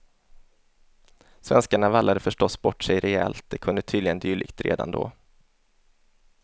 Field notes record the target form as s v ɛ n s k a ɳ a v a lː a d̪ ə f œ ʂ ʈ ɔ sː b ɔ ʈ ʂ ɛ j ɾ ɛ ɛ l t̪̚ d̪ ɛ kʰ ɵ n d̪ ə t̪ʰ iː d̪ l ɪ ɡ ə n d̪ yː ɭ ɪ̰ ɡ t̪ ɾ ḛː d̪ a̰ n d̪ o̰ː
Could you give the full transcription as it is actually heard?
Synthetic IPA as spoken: s v ɛ n s k a ɳ a v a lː a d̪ ə f œ ʂ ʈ ɔ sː b ɔ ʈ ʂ ɛ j ɾ ɛ ɛ l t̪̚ d̪ ɛ kʰ ɵ n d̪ ə t̪ʰ yː d̪ l ɪ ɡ ə n d̪ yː ɭ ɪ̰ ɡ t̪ ɾ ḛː d̪ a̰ n d̪ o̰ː

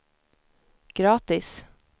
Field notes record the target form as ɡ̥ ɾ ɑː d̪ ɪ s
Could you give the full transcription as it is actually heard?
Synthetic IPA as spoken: ɡ̥ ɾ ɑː t̪ ɪ s

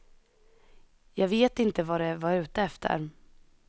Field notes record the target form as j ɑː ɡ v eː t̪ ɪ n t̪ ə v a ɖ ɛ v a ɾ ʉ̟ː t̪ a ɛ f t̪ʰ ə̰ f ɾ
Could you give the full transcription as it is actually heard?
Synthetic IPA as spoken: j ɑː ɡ v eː t̪ ɪ n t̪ ə v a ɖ ɛ v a ɾ ʉ̟ː t̪ ə ɛ f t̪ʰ ə̰ ɾ

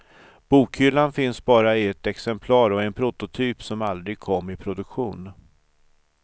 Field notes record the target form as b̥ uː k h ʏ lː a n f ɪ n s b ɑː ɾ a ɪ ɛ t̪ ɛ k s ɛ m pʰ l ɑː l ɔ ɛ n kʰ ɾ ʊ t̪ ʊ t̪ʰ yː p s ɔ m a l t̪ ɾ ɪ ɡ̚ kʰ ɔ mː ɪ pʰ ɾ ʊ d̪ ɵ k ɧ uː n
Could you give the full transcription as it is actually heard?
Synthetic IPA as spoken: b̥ uː k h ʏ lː a n f ɪ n s b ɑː ɾ a ɪ ɛ t̪ ɛ k s ɛ m pʰ l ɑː ɾ ɔ ɛ n pʰ ɾ ʊ t̪ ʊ t̪ʰ yː p s ɔ m a l d̪ ɾ ɪ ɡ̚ kʰ ɔ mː ɪ pʰ ɾ ʊ d̪ ɵ k ɧ uː n

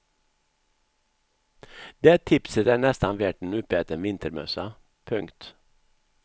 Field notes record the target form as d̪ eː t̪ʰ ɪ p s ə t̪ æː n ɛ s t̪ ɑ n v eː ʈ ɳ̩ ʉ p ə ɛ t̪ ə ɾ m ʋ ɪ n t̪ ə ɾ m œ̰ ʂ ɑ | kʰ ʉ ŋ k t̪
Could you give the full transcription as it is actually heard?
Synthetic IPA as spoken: d̪ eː t̪ʰ ɪ p s ə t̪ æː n ɛ s t̪ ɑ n ʋ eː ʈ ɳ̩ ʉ p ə ɛ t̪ ə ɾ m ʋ ɪ n t̪ ə ɾ m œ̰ s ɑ | pʰ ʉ ŋ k t̪

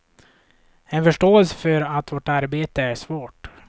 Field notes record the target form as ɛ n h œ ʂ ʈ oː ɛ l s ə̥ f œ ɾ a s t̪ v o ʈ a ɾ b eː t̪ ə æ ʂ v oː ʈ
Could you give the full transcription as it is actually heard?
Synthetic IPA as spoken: ɛ n f œ ʂ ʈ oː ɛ l s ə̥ f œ ɾ a t̪ v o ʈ a ɾ b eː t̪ ə æ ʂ v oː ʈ

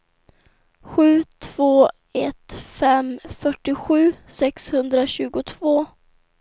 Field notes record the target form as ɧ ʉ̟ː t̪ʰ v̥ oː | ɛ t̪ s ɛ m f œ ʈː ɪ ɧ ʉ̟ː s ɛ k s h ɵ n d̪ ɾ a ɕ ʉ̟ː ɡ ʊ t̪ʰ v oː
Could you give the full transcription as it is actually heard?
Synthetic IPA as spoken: ɧ ʉ̟ː t̪ʰ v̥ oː | ɛ t̪ f ɛ m f œ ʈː ɪ ɧ ʉ̟ː s ɛ k s h ɵ n d̪ ɾ a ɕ ʉ̟ː ɡ ʊ t̪ʰ v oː

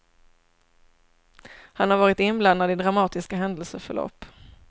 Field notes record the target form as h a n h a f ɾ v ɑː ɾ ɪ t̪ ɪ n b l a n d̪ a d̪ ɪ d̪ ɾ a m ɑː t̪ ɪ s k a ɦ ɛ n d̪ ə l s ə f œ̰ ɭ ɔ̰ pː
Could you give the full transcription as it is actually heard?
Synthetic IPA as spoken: h a n h a ɾ v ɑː ɾ ɪ t̪ ɪ n b l a n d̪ a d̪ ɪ d̪ ɾ a m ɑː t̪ ɪ s k a ɦ ɛ n d̪ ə l s ə f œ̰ ɭ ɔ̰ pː

